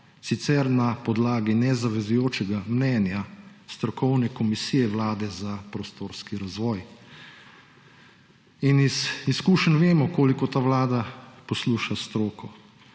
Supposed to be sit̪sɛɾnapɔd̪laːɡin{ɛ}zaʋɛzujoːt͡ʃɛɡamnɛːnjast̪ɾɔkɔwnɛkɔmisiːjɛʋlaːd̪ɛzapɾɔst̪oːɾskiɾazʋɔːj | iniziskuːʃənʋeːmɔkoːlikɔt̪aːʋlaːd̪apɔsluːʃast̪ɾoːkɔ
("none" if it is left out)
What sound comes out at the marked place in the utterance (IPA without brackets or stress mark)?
ɛ